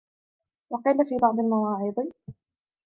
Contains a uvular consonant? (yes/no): yes